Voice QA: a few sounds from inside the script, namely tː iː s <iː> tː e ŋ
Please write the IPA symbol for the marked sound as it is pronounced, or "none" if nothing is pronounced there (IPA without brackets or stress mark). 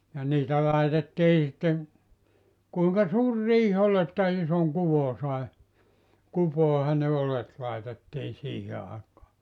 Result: i